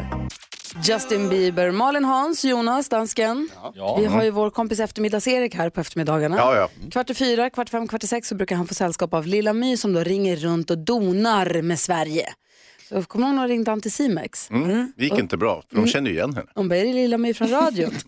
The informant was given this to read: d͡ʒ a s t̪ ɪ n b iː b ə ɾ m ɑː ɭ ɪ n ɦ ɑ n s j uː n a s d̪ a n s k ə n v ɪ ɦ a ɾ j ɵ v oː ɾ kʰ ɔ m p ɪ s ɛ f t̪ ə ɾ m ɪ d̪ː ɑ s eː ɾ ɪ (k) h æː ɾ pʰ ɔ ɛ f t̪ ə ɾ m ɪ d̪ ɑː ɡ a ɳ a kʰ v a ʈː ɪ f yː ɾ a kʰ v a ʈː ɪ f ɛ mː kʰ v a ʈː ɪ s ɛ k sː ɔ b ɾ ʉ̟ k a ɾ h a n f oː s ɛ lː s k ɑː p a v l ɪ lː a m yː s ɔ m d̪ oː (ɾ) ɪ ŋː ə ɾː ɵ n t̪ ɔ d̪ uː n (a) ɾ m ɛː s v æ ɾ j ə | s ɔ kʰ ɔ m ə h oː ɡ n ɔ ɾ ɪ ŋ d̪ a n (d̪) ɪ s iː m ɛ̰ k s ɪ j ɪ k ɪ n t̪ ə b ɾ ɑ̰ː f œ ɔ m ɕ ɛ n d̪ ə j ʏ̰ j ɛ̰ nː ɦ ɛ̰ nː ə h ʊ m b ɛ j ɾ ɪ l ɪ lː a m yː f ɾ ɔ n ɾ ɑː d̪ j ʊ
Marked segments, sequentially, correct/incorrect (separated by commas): correct, correct, correct, incorrect